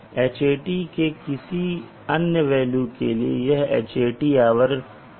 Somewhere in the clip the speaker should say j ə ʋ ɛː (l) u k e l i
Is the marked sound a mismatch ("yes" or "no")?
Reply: no